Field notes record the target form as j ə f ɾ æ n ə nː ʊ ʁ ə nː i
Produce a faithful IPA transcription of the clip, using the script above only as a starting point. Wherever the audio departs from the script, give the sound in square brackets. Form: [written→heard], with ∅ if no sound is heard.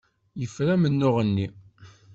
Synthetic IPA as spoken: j ə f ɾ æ [n→m] ə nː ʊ ʁ ə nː i